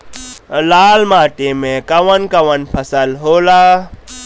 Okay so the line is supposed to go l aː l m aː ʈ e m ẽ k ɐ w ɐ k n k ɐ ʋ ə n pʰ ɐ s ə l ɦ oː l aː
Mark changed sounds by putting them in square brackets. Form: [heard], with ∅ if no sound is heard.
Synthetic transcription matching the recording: l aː l m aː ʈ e m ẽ k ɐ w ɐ [∅] n k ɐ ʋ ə n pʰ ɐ s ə l ɦ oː l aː